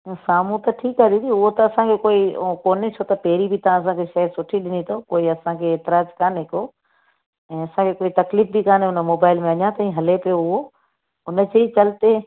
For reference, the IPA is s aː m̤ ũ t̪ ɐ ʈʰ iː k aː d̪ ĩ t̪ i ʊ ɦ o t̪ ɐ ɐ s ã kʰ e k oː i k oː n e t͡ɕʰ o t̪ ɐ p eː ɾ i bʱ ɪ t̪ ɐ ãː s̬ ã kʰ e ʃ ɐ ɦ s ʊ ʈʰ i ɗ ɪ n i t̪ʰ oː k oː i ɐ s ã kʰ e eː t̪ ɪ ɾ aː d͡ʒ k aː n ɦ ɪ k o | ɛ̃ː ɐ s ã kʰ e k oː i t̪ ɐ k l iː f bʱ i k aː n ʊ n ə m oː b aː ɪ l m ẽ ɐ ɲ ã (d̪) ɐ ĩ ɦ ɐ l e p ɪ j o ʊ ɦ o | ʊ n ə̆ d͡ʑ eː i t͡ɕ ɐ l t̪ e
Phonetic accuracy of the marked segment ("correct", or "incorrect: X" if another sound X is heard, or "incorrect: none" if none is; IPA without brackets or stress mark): incorrect: t̪